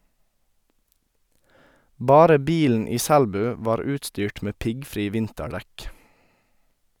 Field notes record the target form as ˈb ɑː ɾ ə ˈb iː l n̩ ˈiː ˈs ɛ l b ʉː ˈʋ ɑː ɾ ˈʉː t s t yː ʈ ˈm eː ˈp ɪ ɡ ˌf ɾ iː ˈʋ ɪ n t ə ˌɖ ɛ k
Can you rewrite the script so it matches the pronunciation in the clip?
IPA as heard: ˈb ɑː ɾ ə ˈb iː l n̩ ˈiː ˈs æ l b ʉː ˈʋ ɑː ɾ ˈʉː t s t yː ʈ ˈm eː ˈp ɪ ɡ ˌf ɾ iː ˈʋ ɪ n t ə ˌɖ ɛ k